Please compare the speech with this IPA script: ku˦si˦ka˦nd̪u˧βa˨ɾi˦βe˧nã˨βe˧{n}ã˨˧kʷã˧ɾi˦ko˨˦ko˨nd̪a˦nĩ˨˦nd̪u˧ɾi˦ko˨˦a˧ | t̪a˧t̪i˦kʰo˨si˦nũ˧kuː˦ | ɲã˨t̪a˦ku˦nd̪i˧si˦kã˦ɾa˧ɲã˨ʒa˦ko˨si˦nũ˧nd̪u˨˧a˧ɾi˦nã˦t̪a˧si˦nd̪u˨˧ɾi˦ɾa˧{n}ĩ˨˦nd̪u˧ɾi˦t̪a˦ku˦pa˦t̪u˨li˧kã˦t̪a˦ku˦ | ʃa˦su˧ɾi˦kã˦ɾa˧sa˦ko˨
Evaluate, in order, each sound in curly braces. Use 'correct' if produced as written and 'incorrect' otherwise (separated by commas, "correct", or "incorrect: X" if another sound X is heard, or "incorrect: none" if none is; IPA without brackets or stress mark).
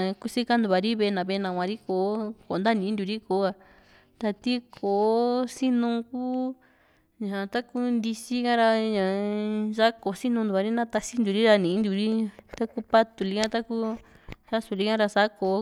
correct, correct